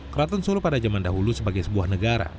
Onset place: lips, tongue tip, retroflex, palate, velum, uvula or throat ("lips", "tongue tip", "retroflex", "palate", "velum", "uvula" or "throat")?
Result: velum